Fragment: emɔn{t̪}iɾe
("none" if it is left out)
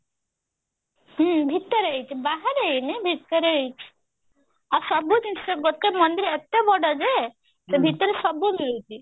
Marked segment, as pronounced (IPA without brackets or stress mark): d̪